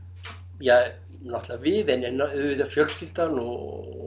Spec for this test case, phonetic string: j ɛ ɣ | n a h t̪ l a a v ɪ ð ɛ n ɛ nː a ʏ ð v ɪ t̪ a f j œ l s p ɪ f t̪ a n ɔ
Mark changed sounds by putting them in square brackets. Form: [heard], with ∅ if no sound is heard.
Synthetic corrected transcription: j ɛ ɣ | n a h t̪ l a a v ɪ ð ɛ n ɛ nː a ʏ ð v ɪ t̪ a f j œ l s [c] ɪ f t̪ a n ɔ

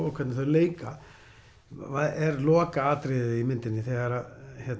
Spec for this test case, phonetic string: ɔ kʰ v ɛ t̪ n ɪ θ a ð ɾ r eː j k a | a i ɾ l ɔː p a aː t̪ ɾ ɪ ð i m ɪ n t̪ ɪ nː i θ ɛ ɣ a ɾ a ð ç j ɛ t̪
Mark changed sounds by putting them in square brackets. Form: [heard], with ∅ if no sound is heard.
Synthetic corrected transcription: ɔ kʰ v ɛ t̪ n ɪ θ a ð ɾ [l] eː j k a | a [ɛ] ɾ l ɔː [k] a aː t̪ ɾ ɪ ð i m ɪ n t̪ ɪ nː [ɪ] θ ɛ ɣ a ɾ a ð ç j ɛ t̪

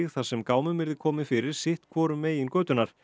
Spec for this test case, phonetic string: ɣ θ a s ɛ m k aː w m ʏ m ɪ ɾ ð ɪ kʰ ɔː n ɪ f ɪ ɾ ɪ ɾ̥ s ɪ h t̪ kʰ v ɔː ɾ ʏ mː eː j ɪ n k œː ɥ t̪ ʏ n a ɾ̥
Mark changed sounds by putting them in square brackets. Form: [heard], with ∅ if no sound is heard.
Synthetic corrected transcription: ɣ θ a s ɛ m k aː w m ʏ m ɪ ɾ ð ɪ kʰ ɔː [m] ɪ f ɪ ɾ ɪ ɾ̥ s ɪ h t̪ kʰ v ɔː ɾ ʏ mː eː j ɪ n k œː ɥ t̪ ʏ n a ɾ̥

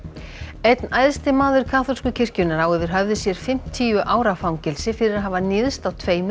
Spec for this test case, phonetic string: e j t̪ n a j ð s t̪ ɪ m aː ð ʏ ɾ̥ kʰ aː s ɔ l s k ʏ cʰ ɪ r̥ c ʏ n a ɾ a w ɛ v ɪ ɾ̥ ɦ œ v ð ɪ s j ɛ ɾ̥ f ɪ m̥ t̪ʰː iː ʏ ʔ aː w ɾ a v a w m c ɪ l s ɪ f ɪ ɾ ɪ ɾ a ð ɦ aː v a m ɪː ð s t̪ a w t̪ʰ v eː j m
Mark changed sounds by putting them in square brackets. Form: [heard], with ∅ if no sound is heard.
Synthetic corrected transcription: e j t̪ n a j ð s t̪ ɪ m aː ð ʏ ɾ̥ kʰ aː [θ] ɔ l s k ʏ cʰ ɪ r̥ c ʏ n a ɾ a w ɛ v ɪ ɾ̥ ɦ œ v ð ɪ s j ɛ ɾ̥ f ɪ m̥ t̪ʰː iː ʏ ʔ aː w ɾ a [f] a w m c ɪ l s ɪ f ɪ ɾ ɪ ɾ a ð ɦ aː v a [n] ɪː ð s t̪ a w t̪ʰ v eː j m

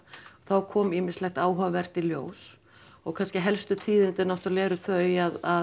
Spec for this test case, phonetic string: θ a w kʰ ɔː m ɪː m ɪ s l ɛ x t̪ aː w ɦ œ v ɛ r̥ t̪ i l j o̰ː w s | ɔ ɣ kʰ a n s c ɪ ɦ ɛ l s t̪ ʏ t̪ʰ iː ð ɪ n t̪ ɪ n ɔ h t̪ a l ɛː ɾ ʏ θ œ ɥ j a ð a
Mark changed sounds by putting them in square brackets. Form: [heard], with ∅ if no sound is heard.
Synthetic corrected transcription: θ a w kʰ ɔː m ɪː m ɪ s l ɛ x t̪ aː w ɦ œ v ɛ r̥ t̪ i l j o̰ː w s | ɔ ɣ kʰ a n s c ɪ ɦ ɛ l s t̪ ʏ t̪ʰ iː ð ɪ n t̪ ɪ n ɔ h t̪ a l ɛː ɾ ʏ θ œ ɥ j a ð a

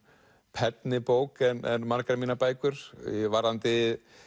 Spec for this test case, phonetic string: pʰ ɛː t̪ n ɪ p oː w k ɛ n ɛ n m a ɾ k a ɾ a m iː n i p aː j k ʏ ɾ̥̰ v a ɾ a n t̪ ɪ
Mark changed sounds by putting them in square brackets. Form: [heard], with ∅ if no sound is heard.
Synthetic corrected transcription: pʰ [ɛ] t̪ n ɪ p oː w k ɛ n ɛ n m a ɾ k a ɾ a m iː n [a] p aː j k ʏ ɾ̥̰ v a ɾ a n t̪ ɪ

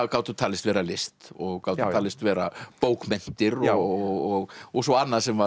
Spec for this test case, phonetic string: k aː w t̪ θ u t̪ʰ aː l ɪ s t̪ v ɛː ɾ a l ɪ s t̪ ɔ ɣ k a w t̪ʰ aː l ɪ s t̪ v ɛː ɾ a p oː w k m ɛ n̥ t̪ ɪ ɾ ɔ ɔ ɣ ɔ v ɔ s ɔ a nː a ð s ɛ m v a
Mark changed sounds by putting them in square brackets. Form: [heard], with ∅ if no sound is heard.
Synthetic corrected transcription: k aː w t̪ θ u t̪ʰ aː l ɪ s t̪ v ɛː ɾ a l ɪ s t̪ ɔ ɣ k a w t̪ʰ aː l ɪ s t̪ v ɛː ɾ a p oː w k m ɛ n̥ t̪ ɪ ɾ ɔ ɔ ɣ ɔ [ɣ] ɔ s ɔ a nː a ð s ɛ m v a

